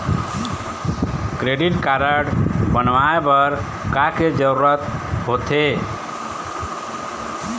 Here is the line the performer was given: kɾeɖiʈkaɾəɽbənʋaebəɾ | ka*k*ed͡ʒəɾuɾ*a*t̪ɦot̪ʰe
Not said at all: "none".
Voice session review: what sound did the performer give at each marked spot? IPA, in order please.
k, ə

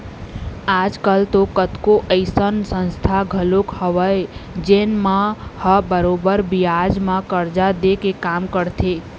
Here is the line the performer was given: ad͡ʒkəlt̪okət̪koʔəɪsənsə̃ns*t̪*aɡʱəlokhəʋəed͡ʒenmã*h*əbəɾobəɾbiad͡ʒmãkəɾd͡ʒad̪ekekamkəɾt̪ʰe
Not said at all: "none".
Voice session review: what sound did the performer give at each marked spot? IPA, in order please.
t̪ʰ, h

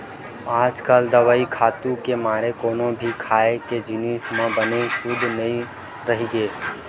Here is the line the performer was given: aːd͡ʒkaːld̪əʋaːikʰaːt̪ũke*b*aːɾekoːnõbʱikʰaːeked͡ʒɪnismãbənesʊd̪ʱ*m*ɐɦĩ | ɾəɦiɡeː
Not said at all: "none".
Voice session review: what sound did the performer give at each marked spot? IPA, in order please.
m, n

